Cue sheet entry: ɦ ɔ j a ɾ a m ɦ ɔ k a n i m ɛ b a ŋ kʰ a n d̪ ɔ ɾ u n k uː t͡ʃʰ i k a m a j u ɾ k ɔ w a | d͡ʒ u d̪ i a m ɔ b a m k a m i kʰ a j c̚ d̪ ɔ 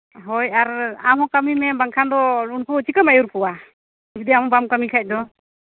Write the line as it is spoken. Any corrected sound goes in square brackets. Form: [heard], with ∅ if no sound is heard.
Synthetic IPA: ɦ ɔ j a ɾ a m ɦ ɔ k a [m] i m ɛ b a ŋ kʰ a n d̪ ɔ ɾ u n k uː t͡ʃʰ i k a m a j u ɾ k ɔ w a | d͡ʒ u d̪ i a m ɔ b a m k a m i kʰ a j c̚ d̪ ɔ